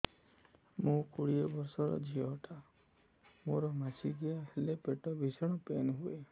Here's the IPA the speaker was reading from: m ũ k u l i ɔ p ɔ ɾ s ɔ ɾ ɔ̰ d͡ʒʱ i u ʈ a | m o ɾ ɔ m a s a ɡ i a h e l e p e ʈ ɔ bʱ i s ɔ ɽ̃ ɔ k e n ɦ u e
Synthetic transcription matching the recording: m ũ k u ɽ i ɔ b ɔ ɾ s ɔ ɾ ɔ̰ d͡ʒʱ i ɔ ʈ a | m o ɾ ɔ m a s i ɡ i a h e l e p e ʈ ɔ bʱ i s ɔ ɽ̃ ɔ p e n ɦ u e